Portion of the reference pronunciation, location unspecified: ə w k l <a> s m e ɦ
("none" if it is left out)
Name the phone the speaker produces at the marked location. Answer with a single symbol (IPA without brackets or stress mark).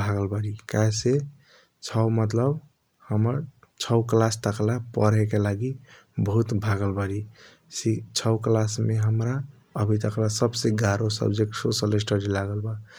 a